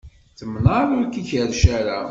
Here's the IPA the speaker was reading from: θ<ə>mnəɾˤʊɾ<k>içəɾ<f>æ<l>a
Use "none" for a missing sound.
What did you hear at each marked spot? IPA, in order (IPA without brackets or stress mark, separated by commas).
ə, k, ʃ, ɾ